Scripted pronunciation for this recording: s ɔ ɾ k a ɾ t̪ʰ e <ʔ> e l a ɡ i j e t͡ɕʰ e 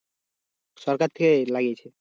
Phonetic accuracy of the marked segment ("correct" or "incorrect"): incorrect